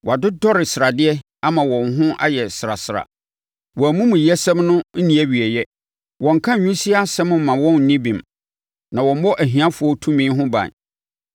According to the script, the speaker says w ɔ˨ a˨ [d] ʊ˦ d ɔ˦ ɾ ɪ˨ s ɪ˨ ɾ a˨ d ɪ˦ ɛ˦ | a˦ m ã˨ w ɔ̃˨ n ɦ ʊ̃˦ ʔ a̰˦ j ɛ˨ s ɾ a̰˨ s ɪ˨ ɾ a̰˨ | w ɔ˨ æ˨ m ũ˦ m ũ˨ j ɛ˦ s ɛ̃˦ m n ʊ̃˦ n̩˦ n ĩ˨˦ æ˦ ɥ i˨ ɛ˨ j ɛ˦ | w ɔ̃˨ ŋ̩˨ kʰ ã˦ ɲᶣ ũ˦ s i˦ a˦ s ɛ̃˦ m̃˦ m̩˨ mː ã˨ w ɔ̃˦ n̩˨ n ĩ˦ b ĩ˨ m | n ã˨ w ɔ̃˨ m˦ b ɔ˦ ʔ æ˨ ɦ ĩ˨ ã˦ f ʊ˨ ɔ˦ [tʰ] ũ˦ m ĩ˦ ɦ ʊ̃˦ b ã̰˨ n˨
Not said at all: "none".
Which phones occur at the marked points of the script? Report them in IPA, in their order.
d, tʰ

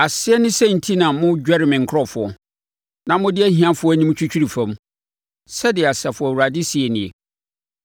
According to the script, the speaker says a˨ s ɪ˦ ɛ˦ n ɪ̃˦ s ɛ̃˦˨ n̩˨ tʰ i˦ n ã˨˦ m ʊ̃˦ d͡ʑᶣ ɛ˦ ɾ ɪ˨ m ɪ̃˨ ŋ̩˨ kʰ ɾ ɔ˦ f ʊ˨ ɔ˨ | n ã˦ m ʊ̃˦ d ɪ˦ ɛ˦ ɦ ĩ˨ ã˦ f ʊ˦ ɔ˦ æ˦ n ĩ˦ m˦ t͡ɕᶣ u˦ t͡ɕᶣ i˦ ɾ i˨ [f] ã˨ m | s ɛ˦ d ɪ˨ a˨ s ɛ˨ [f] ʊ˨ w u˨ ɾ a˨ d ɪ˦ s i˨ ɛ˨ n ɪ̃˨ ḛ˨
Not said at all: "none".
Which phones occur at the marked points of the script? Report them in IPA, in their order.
f, f

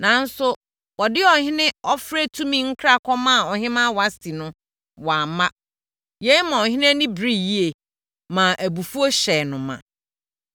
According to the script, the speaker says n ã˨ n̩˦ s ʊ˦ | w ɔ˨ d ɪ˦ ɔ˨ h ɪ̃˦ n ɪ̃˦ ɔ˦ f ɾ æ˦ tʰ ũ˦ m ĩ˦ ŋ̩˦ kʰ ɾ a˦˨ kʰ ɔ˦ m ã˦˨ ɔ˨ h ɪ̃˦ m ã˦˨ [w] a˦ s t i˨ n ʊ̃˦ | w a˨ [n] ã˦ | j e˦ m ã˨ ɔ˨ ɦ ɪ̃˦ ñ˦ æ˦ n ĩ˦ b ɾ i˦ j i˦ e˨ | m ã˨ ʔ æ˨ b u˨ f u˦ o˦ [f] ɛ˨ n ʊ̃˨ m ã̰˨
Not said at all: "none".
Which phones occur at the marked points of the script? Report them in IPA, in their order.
w, m, ɕ

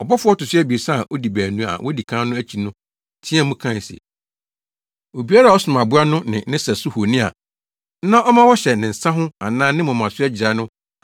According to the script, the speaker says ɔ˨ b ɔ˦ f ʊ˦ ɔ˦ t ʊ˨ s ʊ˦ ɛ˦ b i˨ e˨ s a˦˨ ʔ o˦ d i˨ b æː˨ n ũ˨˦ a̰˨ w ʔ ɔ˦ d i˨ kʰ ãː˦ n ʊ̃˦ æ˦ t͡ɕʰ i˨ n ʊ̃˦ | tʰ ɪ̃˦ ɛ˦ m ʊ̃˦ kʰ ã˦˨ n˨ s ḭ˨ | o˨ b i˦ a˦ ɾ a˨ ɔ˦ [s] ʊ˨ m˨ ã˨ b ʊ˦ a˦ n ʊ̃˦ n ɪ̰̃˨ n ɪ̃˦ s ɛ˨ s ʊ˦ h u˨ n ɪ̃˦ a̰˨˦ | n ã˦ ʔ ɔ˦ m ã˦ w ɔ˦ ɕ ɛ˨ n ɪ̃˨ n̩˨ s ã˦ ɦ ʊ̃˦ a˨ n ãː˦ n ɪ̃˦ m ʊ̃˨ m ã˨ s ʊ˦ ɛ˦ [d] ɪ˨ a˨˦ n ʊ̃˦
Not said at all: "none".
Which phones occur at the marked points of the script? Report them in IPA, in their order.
s, d͡ʑ

